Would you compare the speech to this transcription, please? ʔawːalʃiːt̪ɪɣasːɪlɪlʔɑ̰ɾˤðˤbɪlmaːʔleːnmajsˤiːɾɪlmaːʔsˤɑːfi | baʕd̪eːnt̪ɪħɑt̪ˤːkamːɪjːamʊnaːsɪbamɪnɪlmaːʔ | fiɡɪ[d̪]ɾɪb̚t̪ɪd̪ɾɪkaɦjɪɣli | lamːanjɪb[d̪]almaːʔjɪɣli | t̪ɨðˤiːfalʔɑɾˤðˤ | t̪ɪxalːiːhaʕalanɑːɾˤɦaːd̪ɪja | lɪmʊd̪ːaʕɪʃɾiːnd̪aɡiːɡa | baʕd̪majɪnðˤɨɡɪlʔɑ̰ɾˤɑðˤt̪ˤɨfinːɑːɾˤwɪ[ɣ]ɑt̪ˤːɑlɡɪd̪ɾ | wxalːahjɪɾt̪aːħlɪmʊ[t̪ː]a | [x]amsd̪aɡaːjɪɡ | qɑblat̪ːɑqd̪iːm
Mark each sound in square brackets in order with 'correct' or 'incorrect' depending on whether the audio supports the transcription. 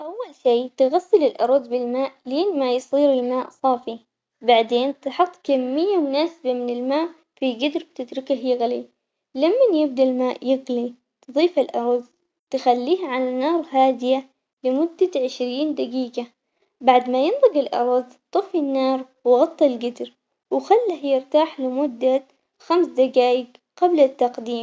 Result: correct, correct, correct, incorrect: d̪ː, correct

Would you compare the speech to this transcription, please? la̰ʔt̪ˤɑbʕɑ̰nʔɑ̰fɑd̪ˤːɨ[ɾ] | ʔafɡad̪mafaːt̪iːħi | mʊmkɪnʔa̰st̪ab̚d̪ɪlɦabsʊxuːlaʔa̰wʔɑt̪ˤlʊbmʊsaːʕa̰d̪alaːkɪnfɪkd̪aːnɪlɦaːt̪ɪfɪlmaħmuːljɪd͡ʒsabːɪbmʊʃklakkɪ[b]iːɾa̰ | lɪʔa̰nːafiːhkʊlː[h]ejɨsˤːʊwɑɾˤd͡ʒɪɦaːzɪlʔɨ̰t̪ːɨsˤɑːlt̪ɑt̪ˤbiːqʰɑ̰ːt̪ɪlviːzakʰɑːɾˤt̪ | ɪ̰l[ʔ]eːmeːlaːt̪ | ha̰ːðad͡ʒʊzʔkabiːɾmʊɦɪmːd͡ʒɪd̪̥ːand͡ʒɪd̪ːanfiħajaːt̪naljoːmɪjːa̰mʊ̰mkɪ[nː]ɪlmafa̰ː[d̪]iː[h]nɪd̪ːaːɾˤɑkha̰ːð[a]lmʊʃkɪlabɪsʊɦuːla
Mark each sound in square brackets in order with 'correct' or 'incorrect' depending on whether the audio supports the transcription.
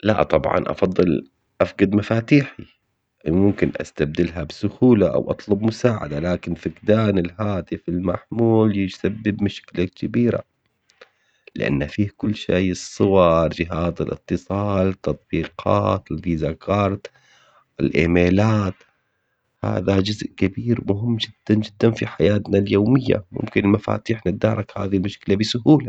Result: incorrect: l, correct, incorrect: ʃ, correct, incorrect: n, incorrect: t̪, incorrect: ħ, incorrect: i

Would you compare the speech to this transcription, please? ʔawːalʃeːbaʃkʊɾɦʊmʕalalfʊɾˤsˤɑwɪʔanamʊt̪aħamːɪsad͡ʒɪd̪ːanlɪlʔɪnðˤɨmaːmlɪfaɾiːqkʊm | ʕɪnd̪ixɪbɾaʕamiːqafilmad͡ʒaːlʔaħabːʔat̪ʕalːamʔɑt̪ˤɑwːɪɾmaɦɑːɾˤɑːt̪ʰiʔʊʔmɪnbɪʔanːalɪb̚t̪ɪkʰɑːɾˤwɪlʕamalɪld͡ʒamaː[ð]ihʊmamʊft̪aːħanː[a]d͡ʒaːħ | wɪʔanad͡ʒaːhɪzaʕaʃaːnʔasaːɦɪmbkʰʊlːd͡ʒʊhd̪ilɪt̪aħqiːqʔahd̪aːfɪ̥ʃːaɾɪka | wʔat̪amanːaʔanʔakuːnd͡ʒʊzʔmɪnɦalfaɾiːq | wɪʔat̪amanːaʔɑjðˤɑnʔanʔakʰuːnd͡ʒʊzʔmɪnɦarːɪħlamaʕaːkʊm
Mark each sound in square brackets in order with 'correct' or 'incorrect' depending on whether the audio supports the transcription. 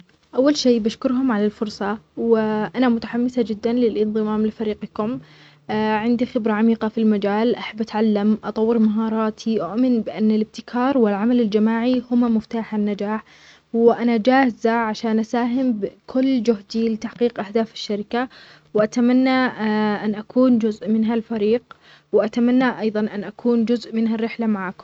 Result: incorrect: ʕ, correct

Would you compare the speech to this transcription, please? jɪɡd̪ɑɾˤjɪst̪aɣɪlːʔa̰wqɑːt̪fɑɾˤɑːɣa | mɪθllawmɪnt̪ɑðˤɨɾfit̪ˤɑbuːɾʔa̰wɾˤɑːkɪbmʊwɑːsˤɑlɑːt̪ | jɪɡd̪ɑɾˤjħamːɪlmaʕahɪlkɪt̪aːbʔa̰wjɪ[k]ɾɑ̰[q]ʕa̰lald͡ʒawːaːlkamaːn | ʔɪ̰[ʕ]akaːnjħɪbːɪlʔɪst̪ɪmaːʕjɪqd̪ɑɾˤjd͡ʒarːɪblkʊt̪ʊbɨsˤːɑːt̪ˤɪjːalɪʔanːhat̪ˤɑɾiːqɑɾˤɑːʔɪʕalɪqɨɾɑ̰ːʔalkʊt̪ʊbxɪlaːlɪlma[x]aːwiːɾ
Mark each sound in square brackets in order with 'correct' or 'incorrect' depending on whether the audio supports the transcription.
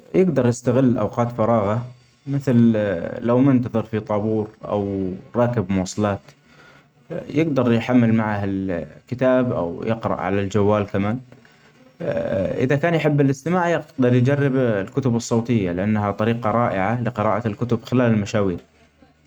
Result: incorrect: q, incorrect: ʔ, incorrect: ð, incorrect: ʃ

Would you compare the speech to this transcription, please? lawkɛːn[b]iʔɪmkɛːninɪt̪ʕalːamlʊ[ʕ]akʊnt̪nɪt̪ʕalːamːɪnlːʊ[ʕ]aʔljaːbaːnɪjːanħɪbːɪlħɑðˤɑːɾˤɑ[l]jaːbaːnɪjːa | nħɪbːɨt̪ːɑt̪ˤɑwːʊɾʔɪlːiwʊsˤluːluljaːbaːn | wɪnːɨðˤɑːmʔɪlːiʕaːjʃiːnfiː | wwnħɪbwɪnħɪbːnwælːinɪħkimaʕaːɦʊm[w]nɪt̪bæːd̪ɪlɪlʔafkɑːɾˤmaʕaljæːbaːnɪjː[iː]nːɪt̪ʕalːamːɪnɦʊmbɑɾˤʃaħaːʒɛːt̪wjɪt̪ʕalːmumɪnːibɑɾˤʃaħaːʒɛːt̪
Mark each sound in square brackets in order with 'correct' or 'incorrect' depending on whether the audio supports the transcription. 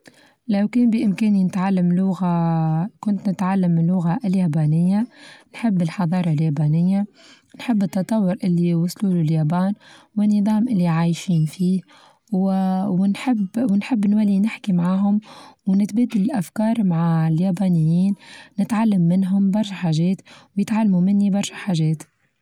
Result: correct, incorrect: ɣ, incorrect: ɣ, correct, correct, correct

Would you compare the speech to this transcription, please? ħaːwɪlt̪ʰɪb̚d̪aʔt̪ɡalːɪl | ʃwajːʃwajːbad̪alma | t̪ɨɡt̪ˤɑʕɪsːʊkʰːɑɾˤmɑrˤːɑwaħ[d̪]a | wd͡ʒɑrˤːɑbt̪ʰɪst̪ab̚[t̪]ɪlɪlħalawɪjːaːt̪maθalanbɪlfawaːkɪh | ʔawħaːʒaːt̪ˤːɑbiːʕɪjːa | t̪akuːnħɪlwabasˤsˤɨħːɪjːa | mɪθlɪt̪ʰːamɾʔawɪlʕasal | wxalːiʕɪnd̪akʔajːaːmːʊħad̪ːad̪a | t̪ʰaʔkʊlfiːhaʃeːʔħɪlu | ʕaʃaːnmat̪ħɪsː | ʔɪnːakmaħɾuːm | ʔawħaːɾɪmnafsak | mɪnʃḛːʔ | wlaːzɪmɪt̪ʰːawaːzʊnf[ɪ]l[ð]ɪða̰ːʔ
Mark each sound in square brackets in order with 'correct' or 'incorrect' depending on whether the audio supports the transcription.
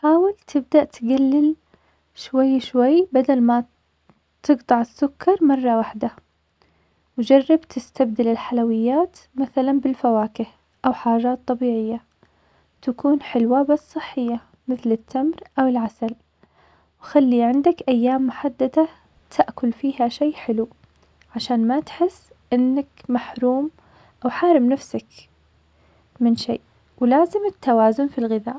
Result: correct, incorrect: d̪, incorrect: i, incorrect: ɣ

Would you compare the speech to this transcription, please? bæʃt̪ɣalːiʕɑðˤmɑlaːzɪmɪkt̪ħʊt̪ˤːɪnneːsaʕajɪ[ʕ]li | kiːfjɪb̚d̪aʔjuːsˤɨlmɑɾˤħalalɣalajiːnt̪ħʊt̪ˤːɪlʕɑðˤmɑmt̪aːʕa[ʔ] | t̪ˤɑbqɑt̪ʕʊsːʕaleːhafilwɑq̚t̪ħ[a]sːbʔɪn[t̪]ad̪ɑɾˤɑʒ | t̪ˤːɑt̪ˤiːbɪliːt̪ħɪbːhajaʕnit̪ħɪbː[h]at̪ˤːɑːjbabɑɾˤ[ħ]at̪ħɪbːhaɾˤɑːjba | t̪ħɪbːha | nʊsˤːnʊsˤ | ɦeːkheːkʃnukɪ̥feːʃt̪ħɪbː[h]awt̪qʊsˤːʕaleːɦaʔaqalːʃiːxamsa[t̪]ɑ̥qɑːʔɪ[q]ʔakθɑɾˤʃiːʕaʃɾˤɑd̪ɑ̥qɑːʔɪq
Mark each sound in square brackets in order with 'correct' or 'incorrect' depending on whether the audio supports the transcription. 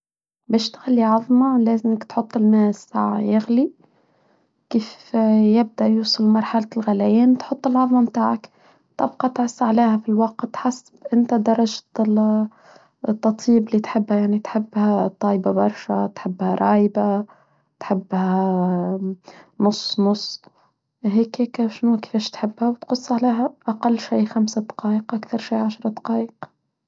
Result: incorrect: ɣ, incorrect: k, correct, correct, correct, incorrect: ʃ, correct, incorrect: d̪, correct

